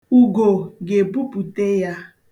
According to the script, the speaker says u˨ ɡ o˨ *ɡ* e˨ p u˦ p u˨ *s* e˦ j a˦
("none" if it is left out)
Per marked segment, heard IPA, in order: ɡ, t

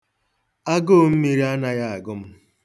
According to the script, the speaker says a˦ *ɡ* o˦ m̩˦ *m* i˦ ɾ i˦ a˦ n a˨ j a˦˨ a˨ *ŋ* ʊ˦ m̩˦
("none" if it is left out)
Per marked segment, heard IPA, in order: ɡ, m, ɡ

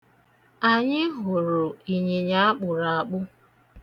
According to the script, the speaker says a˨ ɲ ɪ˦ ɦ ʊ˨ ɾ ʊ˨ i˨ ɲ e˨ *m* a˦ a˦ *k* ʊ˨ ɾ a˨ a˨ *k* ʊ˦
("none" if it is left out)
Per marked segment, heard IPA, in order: ɲ, k͡p, k͡p

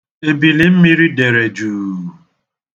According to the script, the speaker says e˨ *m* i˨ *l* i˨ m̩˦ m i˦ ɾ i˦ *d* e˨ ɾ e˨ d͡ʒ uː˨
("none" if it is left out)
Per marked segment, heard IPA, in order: b, l, d

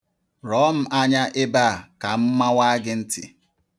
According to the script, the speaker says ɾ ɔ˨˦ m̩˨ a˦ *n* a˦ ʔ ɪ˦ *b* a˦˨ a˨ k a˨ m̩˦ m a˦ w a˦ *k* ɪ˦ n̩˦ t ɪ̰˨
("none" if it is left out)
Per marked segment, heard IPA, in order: ɲ, b, ɡ

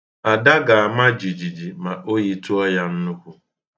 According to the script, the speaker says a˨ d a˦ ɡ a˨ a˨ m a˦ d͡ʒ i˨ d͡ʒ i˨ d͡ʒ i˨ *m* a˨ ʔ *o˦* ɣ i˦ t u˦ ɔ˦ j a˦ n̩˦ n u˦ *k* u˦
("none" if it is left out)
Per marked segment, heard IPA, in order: m, o˦, k

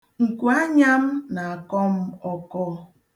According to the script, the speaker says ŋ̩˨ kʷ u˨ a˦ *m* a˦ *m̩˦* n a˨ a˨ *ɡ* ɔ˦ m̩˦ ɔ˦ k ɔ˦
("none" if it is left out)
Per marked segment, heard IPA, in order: ɲ, m̩˦, k

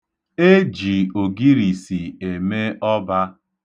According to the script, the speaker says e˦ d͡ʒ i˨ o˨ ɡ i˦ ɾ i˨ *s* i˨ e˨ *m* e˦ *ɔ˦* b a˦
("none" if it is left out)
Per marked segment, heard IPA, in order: s, m, ɔ˦

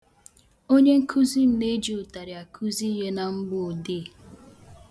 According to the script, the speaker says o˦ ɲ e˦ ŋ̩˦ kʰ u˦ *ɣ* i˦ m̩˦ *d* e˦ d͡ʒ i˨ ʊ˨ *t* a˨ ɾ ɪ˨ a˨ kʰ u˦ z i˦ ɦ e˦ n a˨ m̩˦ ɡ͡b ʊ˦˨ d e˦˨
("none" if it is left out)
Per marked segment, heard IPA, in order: z, n, t

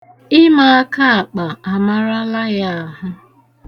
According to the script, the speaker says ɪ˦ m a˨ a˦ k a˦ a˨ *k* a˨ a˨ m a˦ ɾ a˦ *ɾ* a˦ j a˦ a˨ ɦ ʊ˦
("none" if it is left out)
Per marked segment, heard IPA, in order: k͡p, l

